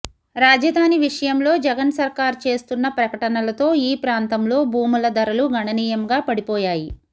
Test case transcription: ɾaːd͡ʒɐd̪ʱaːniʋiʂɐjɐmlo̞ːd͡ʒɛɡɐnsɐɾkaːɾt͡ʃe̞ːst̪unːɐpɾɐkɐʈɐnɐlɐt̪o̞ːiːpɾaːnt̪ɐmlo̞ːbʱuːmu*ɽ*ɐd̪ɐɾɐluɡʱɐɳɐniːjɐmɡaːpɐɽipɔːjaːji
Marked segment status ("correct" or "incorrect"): incorrect